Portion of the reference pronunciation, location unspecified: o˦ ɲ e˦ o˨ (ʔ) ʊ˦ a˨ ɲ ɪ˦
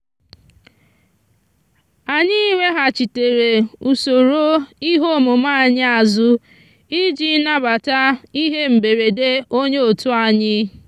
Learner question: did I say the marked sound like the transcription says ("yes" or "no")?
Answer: no